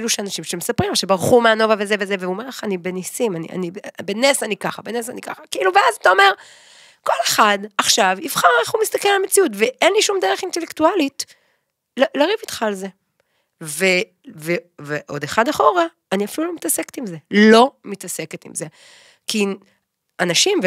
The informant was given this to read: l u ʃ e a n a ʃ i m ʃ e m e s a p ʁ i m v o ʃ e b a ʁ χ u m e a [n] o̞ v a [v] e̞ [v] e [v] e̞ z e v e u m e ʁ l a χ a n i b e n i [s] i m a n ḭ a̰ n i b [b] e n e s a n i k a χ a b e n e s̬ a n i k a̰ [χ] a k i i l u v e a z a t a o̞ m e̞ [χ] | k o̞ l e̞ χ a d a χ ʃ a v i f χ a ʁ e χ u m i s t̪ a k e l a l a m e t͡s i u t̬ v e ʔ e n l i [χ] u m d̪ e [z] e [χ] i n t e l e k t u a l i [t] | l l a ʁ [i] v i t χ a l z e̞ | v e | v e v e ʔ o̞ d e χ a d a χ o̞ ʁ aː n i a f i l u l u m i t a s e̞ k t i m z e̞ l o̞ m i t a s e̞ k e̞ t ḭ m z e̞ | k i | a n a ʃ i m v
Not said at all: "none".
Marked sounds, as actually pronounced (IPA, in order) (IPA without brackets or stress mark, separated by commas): n, v, z, v, s, b, χ, ʁ, ʃ, ʁ, χ, t, i